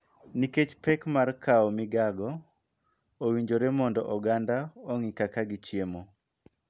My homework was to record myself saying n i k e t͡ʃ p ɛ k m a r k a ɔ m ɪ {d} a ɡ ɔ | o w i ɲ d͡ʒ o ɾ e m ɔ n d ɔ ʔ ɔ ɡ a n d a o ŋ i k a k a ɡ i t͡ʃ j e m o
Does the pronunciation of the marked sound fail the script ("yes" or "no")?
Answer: yes